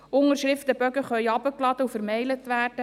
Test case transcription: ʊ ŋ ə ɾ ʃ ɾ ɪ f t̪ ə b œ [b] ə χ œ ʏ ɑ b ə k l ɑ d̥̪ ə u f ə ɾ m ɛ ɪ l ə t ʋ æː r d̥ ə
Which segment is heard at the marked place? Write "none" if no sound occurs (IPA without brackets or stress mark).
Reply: ɡ